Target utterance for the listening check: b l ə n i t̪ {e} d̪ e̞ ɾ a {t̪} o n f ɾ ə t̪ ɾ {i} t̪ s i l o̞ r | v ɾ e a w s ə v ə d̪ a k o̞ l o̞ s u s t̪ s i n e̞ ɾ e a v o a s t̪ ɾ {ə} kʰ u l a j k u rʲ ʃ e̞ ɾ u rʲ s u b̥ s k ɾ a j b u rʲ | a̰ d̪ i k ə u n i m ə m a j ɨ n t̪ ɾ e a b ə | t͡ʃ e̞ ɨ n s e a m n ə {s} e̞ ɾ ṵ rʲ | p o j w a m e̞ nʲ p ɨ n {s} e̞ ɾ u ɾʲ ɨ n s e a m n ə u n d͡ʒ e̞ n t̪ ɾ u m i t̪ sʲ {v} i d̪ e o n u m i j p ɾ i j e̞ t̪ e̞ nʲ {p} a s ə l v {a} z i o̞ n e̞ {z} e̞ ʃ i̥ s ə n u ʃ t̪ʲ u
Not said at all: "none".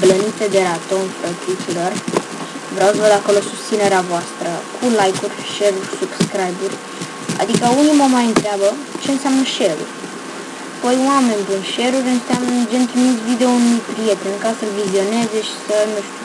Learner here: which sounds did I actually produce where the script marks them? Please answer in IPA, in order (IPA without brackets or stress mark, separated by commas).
e, t̪, i, ə, ʃ, ʃ, v, k, i, z